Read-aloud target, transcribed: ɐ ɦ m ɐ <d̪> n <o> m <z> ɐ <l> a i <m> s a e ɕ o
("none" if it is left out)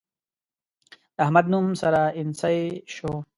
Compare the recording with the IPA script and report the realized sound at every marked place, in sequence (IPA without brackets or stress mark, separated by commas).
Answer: d̪, u, s, ɾ, n